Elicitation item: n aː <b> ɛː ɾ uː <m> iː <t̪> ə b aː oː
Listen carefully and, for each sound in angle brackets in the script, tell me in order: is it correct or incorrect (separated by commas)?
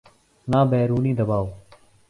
correct, incorrect, incorrect